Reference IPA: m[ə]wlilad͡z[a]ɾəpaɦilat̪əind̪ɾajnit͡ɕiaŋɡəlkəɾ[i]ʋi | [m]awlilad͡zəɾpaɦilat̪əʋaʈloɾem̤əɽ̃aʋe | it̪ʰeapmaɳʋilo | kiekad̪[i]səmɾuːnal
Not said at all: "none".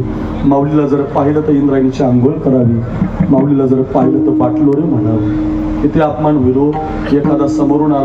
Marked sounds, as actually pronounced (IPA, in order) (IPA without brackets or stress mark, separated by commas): a, ə, a, m, a